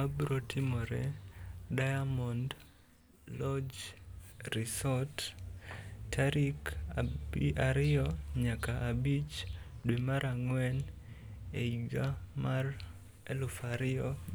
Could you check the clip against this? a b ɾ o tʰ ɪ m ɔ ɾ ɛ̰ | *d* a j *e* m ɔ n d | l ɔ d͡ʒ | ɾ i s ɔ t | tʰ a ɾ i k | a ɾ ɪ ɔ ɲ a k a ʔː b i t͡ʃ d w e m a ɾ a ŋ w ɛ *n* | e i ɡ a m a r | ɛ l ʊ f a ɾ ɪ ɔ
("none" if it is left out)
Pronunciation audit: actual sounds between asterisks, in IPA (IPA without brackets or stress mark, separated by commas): d, a, n